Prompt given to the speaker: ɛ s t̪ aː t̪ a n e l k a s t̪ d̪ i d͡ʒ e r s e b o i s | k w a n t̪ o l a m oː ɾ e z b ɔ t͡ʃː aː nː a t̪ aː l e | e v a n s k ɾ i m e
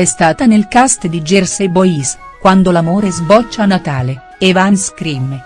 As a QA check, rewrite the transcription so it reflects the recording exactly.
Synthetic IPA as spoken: ɛ s t̪ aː t̪ a n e l k a s t̪ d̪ i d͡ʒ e r s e b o i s | k w a n d̪ o l a m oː ɾ e z b ɔ t͡ʃː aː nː a t̪ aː l e | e v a n s k ɾ i m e

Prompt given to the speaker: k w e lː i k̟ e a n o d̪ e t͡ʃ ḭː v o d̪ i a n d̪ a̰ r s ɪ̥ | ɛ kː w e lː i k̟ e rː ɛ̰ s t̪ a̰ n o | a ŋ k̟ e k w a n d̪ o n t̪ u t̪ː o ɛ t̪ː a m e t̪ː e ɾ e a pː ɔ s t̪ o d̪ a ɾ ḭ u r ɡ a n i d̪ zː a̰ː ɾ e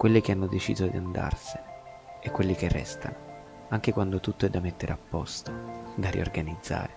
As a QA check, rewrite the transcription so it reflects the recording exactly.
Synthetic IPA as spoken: k w e lː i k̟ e a nː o d̪ e t͡ʃ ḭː z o d̪ i a n d̪ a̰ r s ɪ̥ | ɛ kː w e lː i k̟ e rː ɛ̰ s t̪ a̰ n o | a ŋ k̟ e k w a n d̪ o t̪ u t̪ː o ɛ d̪ː a m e t̪ː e ɾ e a pː ɔ s t̪ o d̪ a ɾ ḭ o r ɡ a n i d̪ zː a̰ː ɾ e

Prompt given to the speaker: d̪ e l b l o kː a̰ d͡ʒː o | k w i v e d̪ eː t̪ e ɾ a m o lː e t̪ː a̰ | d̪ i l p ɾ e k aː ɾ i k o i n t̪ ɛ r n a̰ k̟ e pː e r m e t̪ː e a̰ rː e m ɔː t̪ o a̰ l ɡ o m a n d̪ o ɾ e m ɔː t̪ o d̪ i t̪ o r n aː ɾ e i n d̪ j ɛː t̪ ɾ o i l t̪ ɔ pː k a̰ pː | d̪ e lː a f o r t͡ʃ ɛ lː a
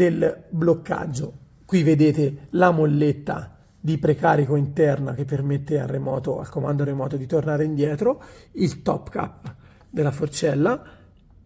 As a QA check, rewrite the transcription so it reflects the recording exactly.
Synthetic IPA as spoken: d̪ e l b l o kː a̰ d͡ʒː o | k w i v e d̪ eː t̪ e l a m o lː e t̪ː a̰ | d̪ i p ɾ e k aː ɾ i k o i n t̪ ɛ r n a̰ k̟ e pː e r m e t̪ː e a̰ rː e m ɔː t̪ o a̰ l k o m a n d̪ o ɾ e m ɔː t̪ o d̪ i t̪ o r n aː ɾ e i n d̪ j ɛː t̪ ɾ o i l t̪ ɔ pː k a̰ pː | d̪ e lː a f o r t͡ʃ ɛ lː a

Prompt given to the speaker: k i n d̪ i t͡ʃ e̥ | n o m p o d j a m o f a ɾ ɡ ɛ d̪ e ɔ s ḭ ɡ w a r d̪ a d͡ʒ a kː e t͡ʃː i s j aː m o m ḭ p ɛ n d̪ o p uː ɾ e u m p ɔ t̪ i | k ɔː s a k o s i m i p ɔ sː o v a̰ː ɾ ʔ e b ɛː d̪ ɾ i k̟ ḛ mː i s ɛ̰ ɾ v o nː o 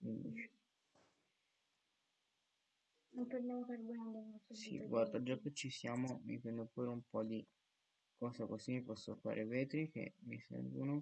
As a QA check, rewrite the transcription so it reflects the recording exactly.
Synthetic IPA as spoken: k i n d̪ i t͡ʃ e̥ | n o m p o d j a m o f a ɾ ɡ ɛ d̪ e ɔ s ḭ ɡ w a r d̪ a d͡ʒ a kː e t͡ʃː i s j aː m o m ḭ p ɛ n d̪ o p uː ɾ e u m p ɔ d̪ i | k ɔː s a k o s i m i p ɔ sː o f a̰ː ɾ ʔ e v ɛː t̪ ɾ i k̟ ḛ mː i s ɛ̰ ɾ v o n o

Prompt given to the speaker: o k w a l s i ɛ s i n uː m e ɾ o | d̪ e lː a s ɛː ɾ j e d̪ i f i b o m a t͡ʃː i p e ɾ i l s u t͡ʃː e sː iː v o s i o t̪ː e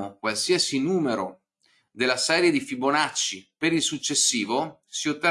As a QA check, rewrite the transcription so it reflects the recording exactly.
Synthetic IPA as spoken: o k w a l s i a s i n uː m e ɾ o | d̪ e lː a s ɛː ɾ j e d̪ i f i b o n a t͡ʃː i p e ɾ i l s u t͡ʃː e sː iː v o s i o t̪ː e

